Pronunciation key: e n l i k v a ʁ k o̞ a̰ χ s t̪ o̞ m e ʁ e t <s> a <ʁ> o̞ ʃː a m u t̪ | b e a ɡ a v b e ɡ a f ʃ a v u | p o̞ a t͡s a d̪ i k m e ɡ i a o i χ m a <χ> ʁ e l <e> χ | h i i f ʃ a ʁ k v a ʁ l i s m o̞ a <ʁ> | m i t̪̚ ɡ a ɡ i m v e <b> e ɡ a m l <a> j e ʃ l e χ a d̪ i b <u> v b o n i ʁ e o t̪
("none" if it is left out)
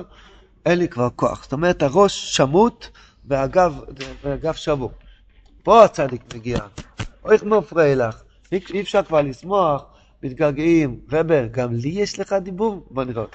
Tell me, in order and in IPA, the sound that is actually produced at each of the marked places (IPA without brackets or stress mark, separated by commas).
h, ʁ, f, a, χ, b, i, u